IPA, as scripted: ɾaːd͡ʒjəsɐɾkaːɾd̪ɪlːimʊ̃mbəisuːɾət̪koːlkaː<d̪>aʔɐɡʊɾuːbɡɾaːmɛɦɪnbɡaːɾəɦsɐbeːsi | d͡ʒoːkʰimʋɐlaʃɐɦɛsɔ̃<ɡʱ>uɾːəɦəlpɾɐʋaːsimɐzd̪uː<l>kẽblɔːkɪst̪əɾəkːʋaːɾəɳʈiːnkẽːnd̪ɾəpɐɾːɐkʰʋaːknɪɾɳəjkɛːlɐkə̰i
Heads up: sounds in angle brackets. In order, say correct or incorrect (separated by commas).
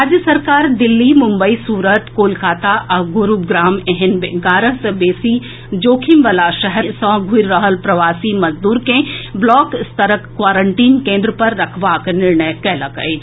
incorrect, correct, incorrect